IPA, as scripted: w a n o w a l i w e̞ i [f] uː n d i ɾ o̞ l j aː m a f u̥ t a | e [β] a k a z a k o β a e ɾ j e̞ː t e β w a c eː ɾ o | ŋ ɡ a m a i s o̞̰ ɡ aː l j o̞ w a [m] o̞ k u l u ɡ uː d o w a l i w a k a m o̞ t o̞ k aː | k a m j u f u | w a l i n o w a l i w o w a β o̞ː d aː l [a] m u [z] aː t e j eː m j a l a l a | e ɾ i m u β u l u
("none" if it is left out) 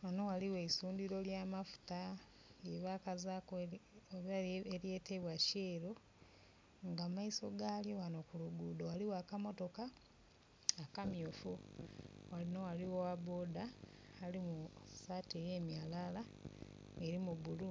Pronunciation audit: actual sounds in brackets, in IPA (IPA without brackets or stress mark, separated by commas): s, β, n, i, s